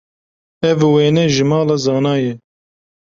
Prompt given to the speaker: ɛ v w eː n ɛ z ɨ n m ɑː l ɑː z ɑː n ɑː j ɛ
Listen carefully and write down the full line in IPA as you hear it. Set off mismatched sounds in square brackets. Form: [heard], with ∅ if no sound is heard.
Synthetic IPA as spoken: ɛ v w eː n ɛ [ʒ] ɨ [∅] m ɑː l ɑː z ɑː n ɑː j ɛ